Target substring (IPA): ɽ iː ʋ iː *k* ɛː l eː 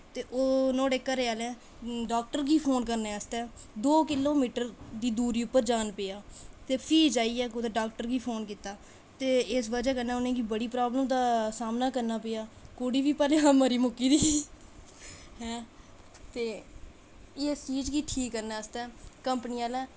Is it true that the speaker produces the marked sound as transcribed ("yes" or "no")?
no